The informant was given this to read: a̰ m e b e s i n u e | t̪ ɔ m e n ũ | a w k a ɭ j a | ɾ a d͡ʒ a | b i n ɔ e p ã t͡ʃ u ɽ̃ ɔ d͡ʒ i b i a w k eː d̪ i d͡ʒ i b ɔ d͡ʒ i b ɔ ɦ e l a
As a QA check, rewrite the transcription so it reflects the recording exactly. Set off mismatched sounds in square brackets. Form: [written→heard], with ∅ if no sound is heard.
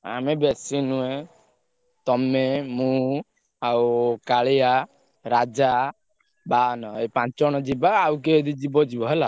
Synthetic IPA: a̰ m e b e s i n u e | t̪ ɔ m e [n→m] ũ | a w k a ɭ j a | ɾ a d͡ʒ a | b [i→a] n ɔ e p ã t͡ʃ [u→ɔ] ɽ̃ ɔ d͡ʒ i b [i→a] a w k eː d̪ i d͡ʒ i b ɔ d͡ʒ i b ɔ ɦ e l a